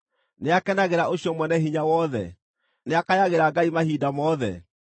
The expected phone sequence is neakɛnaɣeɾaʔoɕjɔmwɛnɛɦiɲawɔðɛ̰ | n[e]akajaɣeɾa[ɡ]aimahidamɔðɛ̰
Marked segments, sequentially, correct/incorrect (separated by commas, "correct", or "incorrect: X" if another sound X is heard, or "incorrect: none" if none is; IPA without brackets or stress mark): correct, correct